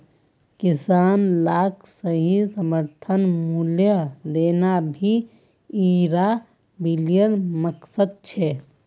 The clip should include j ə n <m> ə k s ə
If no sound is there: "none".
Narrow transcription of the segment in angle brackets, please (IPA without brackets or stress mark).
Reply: m